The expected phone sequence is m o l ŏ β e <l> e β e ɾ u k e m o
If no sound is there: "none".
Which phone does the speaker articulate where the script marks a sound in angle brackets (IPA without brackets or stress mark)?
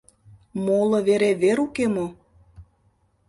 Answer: ɾ